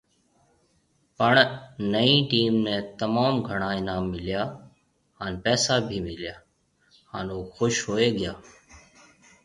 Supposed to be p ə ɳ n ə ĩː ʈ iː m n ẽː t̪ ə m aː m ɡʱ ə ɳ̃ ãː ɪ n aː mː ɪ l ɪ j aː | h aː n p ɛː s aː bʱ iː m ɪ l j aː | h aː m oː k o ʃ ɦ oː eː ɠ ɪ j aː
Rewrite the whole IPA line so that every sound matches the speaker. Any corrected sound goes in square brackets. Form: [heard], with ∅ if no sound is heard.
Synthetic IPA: p ə ɳ n ə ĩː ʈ iː m n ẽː t̪ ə m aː m ɡʱ ə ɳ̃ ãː ɪ n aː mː ɪ l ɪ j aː | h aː n p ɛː s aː bʱ iː m ɪ l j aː | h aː [n] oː [x] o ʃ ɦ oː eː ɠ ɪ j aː